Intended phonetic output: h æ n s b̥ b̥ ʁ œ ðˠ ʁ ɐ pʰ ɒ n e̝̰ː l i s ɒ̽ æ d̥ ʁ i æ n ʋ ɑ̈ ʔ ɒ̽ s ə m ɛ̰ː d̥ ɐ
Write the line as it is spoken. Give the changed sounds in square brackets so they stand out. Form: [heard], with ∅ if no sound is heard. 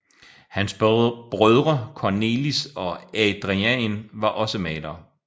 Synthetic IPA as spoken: h æ n s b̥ b̥ ʁ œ ðˠ ʁ ɐ [kʰ] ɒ n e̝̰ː l i s ɒ̽ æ d̥ ʁ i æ n ʋ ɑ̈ ʔ ɒ̽ s ə m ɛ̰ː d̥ ɐ